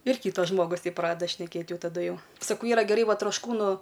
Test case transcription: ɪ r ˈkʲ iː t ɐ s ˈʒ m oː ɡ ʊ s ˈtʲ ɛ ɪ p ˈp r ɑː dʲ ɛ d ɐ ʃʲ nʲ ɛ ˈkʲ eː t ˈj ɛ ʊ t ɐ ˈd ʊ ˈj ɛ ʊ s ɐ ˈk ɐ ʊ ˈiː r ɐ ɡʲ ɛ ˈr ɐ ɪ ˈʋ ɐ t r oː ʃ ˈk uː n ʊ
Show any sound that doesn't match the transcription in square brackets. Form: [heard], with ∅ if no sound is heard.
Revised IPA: ɪ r ˈkʲ iː t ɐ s ˈʒ m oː ɡ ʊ s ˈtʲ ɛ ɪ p ˈp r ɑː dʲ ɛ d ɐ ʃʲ nʲ ɛ ˈkʲ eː t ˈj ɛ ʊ t ɐ ˈd ʊ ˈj ɛ ʊ s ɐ ˈk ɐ ʊ ˈiː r ɐ ɡʲ ɛ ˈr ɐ ɪ ˈʋ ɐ t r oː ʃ ˈk uː n ʊ